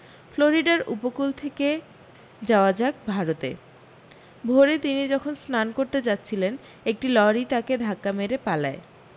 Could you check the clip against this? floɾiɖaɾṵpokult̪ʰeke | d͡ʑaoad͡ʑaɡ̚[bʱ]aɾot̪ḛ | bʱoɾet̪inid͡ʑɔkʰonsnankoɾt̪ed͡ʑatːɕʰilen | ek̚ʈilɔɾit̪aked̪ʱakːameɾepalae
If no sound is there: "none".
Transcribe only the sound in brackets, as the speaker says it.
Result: bʱ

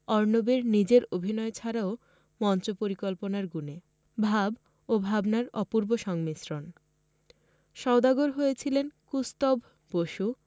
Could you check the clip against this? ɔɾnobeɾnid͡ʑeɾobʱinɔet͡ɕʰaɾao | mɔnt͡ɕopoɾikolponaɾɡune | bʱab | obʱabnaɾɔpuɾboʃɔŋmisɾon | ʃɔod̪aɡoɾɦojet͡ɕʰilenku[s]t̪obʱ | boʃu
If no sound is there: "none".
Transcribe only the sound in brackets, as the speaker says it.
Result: s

